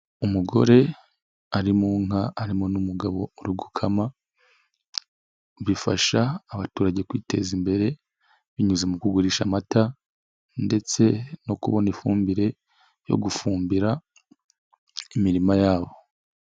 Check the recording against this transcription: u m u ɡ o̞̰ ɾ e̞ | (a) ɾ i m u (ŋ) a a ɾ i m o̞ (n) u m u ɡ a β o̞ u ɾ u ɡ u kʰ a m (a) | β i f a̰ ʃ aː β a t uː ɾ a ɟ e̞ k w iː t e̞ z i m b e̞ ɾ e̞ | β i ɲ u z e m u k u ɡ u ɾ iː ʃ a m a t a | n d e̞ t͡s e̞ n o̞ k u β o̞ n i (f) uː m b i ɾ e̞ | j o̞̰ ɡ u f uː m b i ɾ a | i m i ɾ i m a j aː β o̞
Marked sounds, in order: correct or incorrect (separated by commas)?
correct, correct, correct, correct, correct